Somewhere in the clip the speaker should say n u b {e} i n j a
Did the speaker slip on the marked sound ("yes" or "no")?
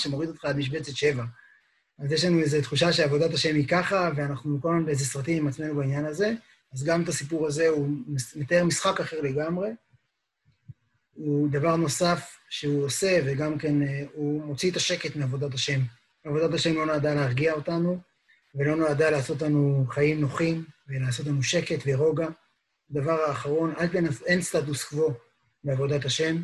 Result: yes